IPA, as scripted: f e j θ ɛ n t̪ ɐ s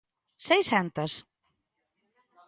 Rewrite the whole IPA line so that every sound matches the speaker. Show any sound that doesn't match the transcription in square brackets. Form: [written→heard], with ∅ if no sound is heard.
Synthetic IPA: [f→s] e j [θ→s] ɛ n t̪ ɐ s